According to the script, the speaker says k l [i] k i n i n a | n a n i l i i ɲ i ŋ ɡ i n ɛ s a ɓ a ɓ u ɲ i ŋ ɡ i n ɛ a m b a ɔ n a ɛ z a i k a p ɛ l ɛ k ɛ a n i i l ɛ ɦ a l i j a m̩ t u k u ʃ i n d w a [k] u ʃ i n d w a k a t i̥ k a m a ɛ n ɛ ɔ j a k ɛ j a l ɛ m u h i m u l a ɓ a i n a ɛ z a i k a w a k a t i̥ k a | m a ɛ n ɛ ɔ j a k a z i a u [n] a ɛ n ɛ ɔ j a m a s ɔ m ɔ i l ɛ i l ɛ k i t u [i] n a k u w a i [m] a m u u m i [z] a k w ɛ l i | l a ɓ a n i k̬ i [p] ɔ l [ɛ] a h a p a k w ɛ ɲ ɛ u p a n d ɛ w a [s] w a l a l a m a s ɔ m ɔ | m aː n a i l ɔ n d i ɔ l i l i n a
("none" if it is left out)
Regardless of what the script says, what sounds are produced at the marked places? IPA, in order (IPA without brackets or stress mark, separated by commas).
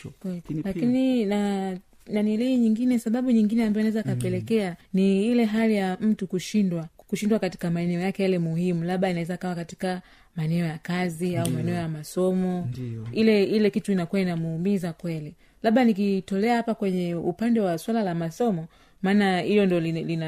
a, k, m, i, n, z, t, ɛ, s